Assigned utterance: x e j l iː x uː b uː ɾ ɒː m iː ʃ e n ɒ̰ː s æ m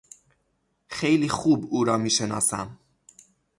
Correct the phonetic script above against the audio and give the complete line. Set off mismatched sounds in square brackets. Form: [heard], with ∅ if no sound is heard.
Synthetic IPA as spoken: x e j l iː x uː b uː ɾ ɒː m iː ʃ e n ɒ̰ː s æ m